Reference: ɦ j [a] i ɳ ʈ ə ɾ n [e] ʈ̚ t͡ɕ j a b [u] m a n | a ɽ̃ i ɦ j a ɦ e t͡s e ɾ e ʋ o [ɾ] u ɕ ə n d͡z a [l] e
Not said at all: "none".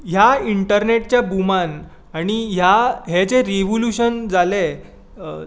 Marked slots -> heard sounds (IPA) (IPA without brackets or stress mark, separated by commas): a, e, u, l, l